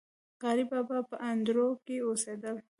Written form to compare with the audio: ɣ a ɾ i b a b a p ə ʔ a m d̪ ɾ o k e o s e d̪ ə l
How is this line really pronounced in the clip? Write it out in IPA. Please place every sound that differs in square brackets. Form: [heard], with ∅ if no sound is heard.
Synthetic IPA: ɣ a ɾ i b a b a p ə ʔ a [n] d̪ ɾ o k e o s e d̪ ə l